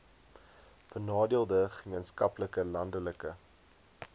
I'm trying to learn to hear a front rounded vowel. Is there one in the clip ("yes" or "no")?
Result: no